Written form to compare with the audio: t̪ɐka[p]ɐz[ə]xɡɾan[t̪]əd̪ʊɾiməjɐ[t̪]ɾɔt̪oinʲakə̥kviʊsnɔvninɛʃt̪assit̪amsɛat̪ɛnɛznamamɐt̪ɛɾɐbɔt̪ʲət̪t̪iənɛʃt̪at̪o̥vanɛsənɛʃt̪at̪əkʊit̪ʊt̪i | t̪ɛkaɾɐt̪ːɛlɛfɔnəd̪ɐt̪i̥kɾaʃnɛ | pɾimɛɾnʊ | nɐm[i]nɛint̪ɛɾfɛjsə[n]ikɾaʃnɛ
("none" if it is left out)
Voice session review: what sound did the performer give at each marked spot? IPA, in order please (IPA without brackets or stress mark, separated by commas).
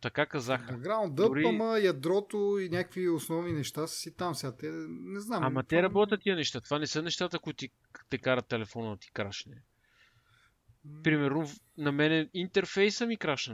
k, a, d̪, d̪, ɛ, m